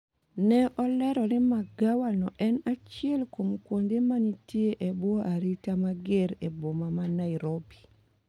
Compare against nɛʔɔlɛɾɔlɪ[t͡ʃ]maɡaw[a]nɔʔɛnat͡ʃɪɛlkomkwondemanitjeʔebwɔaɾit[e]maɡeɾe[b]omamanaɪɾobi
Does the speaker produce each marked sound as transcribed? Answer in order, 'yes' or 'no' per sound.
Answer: no, yes, no, yes

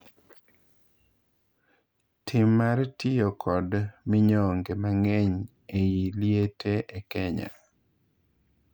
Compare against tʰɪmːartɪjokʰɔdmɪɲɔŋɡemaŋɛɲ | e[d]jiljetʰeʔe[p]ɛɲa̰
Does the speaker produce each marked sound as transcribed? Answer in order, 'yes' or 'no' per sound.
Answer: no, no

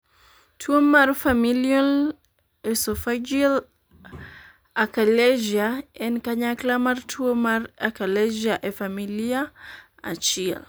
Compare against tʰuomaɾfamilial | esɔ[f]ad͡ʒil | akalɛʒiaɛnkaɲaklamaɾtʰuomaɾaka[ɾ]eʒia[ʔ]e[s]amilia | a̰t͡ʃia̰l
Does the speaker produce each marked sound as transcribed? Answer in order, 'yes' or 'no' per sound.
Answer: yes, no, yes, no

